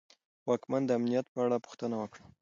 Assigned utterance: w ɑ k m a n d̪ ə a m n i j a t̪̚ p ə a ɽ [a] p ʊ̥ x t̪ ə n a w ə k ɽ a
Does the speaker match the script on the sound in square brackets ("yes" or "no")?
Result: yes